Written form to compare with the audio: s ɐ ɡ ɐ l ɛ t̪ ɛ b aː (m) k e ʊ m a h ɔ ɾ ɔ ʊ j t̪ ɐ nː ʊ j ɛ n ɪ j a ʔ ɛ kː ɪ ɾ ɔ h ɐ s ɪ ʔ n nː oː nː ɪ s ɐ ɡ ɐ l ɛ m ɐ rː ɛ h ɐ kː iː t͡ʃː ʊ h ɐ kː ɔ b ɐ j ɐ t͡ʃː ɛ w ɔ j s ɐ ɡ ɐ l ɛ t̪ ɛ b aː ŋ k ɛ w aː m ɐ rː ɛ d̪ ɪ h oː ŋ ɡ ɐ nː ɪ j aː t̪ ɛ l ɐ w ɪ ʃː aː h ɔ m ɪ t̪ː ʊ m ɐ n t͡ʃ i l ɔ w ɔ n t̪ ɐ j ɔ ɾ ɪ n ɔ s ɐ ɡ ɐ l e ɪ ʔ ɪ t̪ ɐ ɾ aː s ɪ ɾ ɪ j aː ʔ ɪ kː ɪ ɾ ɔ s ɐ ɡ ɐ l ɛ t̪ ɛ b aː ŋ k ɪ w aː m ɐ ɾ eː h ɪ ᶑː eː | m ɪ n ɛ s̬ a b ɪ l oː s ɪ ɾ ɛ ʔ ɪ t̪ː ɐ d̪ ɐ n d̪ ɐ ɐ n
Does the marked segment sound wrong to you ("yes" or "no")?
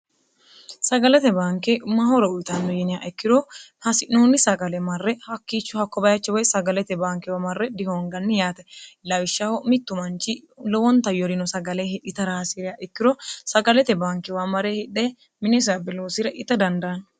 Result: yes